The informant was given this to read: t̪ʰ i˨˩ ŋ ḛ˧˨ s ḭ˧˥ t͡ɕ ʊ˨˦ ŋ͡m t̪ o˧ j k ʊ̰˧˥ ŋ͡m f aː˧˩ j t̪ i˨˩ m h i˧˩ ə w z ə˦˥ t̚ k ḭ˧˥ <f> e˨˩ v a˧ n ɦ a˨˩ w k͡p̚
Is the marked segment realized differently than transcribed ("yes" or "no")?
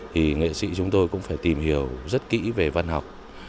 yes